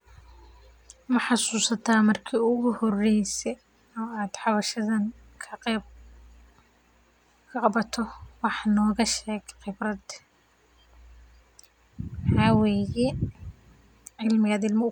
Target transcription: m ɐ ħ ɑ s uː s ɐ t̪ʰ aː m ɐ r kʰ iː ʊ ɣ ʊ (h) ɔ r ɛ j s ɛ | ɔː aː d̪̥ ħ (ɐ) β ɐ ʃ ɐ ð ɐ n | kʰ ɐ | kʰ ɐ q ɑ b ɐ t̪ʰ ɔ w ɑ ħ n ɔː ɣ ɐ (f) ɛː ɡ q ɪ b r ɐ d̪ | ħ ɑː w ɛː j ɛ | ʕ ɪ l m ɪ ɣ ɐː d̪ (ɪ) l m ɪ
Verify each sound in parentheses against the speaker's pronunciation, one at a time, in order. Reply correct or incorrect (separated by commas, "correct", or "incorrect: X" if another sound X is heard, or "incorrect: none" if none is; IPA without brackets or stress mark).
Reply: correct, incorrect: ɑ, incorrect: ʃ, correct